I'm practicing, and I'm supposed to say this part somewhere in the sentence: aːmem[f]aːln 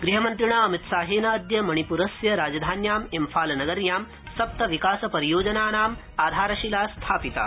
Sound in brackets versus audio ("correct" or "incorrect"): correct